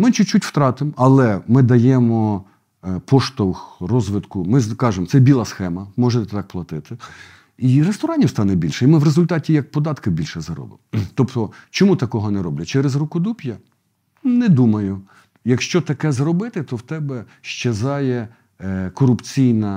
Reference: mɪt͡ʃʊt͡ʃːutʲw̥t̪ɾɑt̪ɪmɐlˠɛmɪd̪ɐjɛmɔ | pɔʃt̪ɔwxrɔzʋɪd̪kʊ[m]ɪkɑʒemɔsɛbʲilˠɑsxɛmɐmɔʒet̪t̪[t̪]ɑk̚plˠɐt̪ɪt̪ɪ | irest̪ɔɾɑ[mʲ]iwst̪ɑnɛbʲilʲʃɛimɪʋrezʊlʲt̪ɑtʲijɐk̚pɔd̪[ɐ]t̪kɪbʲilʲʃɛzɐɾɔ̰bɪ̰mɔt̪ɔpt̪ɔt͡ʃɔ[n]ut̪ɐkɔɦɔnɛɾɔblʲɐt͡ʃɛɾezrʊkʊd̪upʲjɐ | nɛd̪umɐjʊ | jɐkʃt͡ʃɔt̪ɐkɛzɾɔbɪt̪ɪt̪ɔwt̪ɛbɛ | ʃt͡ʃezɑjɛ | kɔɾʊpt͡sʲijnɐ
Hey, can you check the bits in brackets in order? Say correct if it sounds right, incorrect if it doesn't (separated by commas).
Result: correct, correct, incorrect, incorrect, incorrect